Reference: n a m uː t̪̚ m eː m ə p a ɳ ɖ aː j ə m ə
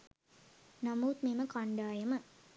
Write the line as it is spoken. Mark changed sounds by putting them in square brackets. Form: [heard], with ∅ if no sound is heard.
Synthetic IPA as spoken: n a m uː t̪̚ m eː m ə [k] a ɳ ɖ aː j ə m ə

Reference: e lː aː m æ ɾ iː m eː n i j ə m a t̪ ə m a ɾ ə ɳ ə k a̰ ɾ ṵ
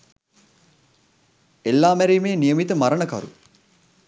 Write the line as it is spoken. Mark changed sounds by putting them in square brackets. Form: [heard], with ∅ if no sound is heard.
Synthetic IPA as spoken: e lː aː m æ ɾ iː m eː n i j ə m [i] t̪ ə m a ɾ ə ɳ ə k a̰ ɾ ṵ

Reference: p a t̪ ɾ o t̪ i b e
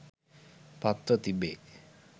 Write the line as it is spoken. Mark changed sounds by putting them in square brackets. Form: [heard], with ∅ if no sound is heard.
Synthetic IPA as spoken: p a t̪ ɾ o t̪ i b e

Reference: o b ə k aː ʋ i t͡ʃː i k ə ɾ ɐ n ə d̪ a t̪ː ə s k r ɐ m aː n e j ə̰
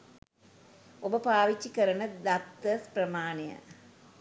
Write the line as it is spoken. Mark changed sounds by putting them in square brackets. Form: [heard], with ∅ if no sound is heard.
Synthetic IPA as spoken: o b ə [p] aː ʋ i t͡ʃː i k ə ɾ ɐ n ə d̪ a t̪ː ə s [p] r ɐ m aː n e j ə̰

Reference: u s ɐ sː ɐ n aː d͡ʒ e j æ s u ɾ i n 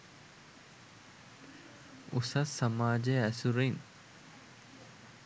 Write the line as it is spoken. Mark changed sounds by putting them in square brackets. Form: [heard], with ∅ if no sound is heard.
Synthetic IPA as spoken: u s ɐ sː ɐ [m] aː d͡ʒ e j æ s u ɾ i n

